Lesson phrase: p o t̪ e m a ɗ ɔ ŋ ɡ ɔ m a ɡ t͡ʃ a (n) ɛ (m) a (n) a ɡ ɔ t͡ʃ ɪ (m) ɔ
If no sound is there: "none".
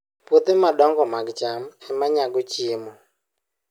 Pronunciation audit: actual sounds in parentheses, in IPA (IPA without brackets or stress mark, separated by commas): m, m, ɲ, m